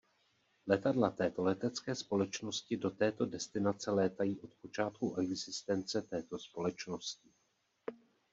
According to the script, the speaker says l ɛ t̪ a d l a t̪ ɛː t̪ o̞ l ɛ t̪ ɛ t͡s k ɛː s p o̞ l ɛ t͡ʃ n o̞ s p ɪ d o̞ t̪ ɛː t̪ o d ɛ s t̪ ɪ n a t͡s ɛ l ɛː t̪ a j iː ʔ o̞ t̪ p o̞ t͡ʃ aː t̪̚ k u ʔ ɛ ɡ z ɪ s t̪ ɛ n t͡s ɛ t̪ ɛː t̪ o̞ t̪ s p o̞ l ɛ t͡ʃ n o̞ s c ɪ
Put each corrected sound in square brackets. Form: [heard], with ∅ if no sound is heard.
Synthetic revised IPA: l ɛ t̪ a d l a t̪ ɛː t̪ o̞ l ɛ t̪ ɛ t͡s k ɛː s p o̞ l ɛ t͡ʃ n o̞ s [c] ɪ d o̞ t̪ ɛː t̪ o d ɛ s t̪ ɪ n a t͡s ɛ l ɛː t̪ a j iː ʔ o̞ t̪ p o̞ t͡ʃ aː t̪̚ k u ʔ ɛ ɡ z ɪ s t̪ ɛ n t͡s ɛ t̪ ɛː t̪ o̞ [∅] s p o̞ l ɛ t͡ʃ n o̞ s c ɪ

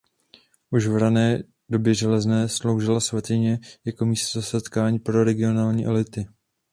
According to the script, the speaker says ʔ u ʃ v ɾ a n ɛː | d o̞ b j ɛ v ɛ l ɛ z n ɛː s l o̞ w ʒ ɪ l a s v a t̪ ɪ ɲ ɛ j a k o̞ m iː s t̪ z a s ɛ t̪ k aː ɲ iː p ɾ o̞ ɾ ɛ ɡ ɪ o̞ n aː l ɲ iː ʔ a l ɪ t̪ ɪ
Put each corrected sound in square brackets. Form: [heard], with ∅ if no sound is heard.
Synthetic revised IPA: ʔ u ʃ v ɾ a n ɛː | d o̞ b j ɛ [ʒ] ɛ l ɛ z n ɛː s l o̞ w ʒ ɪ l a s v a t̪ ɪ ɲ ɛ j a k o̞ m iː s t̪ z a s ɛ t̪ k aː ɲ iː p ɾ o̞ ɾ ɛ ɡ ɪ o̞ n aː l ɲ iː ʔ [ɛ] l ɪ t̪ ɪ

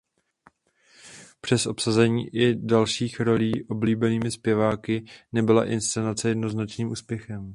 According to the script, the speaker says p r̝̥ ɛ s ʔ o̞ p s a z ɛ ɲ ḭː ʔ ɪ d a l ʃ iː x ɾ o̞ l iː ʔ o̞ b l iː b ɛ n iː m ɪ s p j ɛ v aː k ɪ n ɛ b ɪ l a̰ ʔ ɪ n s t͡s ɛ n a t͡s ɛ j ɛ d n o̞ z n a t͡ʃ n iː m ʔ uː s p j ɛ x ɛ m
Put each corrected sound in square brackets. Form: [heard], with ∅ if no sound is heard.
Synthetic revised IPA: p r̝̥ ɛ s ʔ o̞ p s a z ɛ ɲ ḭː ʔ ɪ d a l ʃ iː x ɾ o̞ l iː ʔ o̞ b l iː b ɛ n iː m ɪ s p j ɛ v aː k ɪ n ɛ b ɪ l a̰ ʔ ɪ n s t͡s ɛ n a t͡s ɛ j ɛ d n o̞ z n a t͡ʃ n iː m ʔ uː s p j ɛ x ɛ m

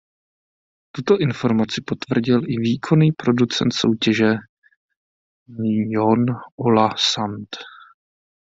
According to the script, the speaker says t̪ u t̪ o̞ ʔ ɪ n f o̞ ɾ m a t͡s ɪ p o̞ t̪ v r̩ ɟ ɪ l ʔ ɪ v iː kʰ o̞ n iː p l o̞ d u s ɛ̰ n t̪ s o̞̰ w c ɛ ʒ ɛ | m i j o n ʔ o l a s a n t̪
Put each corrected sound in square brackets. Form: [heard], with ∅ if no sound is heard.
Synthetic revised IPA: t̪ u t̪ o̞ ʔ ɪ n f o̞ ɾ m a t͡s ɪ p o̞ t̪ v r̩ ɟ ɪ l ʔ ɪ v iː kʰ o̞ n iː p [ɾ] o̞ d u [t͡s] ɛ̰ n t̪ s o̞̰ w c ɛ ʒ ɛ | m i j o n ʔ o l a s a n t̪

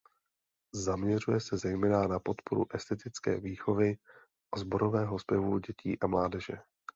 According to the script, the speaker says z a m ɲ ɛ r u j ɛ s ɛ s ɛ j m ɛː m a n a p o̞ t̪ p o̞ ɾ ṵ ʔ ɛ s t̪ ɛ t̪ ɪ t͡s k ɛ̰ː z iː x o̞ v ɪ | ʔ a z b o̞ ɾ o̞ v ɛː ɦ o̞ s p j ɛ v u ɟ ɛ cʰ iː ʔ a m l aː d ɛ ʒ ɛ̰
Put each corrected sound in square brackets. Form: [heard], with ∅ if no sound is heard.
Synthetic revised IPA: z a m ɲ ɛ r u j ɛ s ɛ [z] ɛ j m ɛː [n] a n a p o̞ t̪ p o̞ ɾ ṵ ʔ ɛ s t̪ ɛ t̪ ɪ t͡s k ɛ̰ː [v] iː x o̞ v ɪ | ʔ a z b o̞ ɾ o̞ v ɛː ɦ o̞ s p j ɛ v u ɟ ɛ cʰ iː ʔ a m l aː d ɛ ʒ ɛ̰

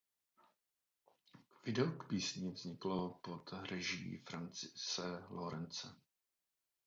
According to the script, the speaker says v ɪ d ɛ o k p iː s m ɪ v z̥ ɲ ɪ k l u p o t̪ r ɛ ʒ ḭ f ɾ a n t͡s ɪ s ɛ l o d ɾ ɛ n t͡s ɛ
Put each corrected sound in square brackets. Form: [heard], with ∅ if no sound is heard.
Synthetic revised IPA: v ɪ d ɛ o k p iː s [ɲ] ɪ v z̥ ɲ ɪ k l [o] p o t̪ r ɛ ʒ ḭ f ɾ a n t͡s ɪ s ɛ l o [∅] ɾ ɛ n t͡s ɛ

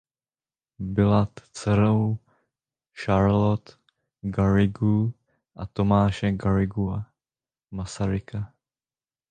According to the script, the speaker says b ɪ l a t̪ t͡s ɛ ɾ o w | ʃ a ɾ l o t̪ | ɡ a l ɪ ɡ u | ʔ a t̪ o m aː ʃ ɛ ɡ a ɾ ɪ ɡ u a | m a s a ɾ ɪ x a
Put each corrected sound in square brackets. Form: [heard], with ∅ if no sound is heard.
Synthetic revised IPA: b ɪ l a t̪ t͡s ɛ ɾ o w | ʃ a ɾ l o t̪ | ɡ a [ɾ] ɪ ɡ u | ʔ a t̪ o m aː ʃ ɛ ɡ a ɾ ɪ ɡ u a | m a s a ɾ ɪ [k] a

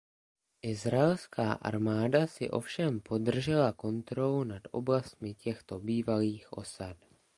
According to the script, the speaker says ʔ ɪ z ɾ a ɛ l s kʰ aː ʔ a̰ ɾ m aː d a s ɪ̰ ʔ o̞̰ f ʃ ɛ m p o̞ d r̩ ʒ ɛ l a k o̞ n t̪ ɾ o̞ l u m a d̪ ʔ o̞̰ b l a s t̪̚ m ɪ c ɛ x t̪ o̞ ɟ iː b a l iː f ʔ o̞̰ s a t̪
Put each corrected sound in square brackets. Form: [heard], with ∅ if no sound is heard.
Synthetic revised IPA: ʔ ɪ z ɾ a ɛ l s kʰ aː ʔ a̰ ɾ m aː d a s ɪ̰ ʔ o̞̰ f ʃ ɛ m p o̞ d r̩ ʒ ɛ l a k o̞ n t̪ ɾ o̞ l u [n] a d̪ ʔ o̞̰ b l a s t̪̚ m ɪ c ɛ x t̪ o̞ [b] iː [v] a l iː [x] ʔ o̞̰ s a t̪

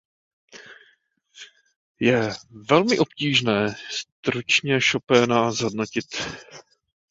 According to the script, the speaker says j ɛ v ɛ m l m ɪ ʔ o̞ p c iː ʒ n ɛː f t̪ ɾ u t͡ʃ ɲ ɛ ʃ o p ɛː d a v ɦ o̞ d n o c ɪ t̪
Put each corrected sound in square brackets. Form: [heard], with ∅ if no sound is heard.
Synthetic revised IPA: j ɛ v ɛ [∅] l m ɪ ʔ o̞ p c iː ʒ n ɛː [s] t̪ ɾ u t͡ʃ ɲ ɛ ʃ o p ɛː [n] a [z] ɦ o̞ d n o c ɪ t̪

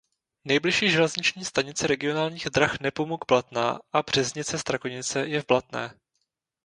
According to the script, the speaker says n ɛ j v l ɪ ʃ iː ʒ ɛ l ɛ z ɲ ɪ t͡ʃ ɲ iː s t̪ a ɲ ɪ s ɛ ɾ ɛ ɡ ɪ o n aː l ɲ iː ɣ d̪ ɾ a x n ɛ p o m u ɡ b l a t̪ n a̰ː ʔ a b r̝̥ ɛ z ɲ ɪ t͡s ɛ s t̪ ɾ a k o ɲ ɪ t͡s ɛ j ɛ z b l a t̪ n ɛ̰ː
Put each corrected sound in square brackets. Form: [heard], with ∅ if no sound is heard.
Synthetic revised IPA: n ɛ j [b] l ɪ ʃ iː ʒ ɛ l ɛ z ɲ ɪ t͡ʃ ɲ iː s t̪ a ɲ ɪ [t͡s] ɛ ɾ ɛ ɡ ɪ o n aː l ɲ iː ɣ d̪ ɾ a x n ɛ p o m u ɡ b l a t̪ n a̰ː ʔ a b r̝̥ ɛ z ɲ ɪ t͡s ɛ s t̪ ɾ a k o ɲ ɪ t͡s ɛ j ɛ [v] b l a t̪ n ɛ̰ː

